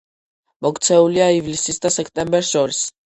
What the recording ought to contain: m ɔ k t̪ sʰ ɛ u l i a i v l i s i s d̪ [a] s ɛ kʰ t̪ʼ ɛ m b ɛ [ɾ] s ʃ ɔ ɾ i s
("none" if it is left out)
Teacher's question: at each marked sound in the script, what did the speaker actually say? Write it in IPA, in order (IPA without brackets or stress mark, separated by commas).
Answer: a, ɾ